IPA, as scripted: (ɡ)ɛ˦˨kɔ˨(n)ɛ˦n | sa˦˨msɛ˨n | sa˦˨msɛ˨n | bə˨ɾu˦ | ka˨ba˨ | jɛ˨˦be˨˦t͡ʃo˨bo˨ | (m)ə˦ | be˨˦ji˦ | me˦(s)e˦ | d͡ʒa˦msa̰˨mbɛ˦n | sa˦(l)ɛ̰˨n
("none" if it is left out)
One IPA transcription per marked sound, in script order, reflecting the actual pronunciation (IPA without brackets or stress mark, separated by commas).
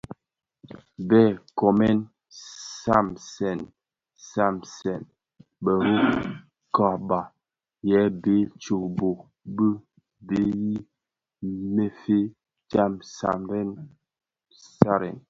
b, m, b, f, ɾ